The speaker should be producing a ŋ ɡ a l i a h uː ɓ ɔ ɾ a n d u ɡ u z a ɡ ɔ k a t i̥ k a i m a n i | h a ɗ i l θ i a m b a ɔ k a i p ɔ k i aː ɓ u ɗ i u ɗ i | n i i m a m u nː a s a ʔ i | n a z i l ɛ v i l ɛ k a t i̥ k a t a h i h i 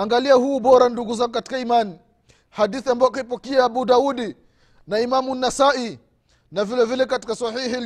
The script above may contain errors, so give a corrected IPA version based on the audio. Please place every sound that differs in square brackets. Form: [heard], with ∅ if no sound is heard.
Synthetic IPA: a ŋ ɡ a l i a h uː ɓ ɔ ɾ a n d u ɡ u z a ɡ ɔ k a t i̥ k a i m a n i | h a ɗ i [∅] θ i a m b a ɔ k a i p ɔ k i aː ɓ u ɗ [a] u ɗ i | n [a] i m a m u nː a s a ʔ i | n a [v] i l ɛ v i l ɛ k a t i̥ k a [s] a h i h i